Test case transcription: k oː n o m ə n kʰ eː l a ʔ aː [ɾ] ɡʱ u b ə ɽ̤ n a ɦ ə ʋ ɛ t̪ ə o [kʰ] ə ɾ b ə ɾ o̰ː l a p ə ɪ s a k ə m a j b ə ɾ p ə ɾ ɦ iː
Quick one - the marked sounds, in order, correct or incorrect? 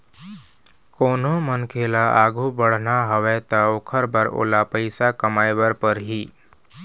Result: incorrect, correct

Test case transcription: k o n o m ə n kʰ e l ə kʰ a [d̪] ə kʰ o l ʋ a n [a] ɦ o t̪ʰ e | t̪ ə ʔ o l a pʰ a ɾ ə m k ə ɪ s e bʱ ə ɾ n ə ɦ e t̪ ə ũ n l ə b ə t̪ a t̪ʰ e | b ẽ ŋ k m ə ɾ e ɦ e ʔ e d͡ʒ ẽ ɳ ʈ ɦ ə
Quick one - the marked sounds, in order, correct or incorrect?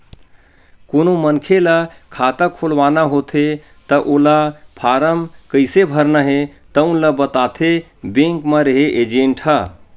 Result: incorrect, correct

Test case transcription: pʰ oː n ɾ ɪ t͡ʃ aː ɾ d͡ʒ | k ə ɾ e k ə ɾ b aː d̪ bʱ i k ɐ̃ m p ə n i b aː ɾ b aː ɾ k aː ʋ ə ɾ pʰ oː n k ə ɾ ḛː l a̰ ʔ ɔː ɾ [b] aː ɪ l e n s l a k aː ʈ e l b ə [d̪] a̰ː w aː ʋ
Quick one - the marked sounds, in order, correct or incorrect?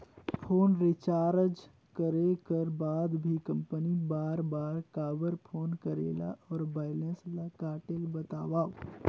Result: correct, incorrect

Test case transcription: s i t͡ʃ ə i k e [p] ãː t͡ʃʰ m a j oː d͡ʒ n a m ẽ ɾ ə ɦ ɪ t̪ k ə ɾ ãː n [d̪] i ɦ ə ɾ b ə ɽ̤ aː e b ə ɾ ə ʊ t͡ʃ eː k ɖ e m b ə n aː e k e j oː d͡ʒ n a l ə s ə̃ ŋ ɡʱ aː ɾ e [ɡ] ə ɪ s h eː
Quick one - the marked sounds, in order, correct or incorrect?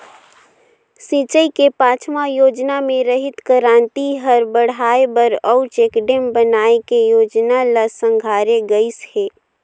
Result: correct, incorrect, correct

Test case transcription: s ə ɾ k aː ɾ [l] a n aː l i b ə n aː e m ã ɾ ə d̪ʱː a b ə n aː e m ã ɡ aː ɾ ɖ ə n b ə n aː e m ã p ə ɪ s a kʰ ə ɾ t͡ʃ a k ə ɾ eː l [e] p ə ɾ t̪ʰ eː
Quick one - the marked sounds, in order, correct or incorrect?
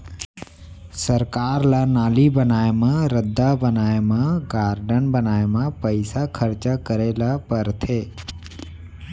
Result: correct, incorrect

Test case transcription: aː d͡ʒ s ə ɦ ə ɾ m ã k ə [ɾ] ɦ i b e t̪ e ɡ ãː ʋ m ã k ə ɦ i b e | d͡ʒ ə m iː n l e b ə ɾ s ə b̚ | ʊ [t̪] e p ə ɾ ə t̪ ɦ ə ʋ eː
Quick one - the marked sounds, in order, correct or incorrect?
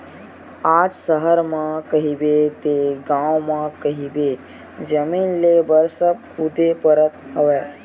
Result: incorrect, incorrect

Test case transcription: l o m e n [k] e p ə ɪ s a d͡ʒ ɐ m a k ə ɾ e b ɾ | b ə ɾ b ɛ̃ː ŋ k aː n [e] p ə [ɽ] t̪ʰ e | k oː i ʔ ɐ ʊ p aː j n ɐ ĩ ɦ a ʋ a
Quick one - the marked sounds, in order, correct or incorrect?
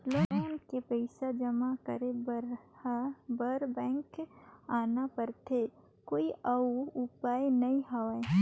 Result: correct, incorrect, incorrect

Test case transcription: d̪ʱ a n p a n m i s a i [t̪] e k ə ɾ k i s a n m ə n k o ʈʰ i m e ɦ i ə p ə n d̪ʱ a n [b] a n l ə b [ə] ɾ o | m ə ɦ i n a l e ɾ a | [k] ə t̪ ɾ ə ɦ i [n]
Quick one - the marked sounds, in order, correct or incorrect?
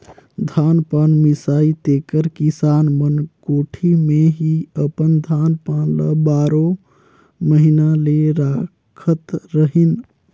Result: correct, incorrect, incorrect, incorrect, correct

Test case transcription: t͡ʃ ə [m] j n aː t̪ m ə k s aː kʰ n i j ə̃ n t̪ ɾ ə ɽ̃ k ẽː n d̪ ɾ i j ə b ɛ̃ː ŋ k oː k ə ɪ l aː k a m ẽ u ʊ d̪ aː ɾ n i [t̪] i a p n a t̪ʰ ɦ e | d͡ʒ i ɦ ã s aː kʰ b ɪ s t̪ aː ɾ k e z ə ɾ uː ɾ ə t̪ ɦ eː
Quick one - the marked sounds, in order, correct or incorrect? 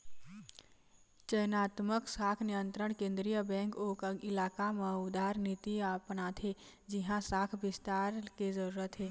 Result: incorrect, correct

